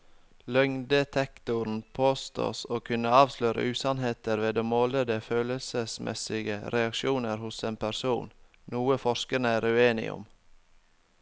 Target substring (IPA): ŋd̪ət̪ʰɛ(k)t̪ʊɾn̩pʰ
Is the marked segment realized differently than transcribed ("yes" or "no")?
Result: no